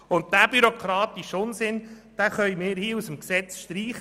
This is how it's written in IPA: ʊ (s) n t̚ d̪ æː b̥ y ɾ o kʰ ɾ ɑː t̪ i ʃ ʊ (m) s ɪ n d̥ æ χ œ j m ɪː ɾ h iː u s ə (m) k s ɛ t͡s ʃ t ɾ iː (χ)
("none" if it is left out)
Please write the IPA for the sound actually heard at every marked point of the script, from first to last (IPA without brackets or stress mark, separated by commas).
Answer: none, n, m, χ